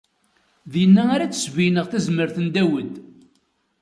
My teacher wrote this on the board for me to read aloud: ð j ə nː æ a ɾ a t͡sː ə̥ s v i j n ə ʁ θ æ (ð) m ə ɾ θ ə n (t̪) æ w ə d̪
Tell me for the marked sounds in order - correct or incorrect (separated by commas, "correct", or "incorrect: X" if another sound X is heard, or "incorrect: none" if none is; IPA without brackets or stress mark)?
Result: incorrect: z, incorrect: d̪